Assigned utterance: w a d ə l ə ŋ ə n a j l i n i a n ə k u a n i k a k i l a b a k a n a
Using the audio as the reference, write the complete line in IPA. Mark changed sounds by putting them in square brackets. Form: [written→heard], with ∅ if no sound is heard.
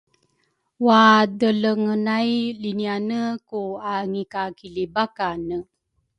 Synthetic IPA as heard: w a d ə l ə ŋ ə n a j l i n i a n ə k u a [n→ŋ] i k a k i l [a→i] b a k a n [a→ə]